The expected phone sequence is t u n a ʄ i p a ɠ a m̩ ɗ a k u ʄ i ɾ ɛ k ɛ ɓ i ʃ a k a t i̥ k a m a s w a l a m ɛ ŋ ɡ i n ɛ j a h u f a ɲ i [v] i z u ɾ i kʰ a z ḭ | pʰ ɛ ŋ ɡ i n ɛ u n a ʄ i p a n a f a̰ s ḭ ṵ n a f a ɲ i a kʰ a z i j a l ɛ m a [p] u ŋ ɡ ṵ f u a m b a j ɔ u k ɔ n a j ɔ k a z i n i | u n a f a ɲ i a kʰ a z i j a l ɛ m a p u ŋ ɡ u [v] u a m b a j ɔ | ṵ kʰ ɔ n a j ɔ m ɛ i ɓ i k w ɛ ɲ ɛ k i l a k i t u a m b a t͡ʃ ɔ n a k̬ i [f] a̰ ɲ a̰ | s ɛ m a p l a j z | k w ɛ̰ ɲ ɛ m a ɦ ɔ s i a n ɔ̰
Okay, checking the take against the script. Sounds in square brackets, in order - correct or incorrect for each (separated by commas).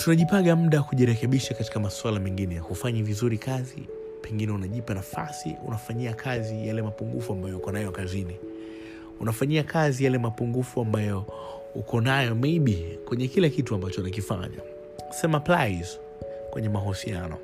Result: correct, correct, incorrect, correct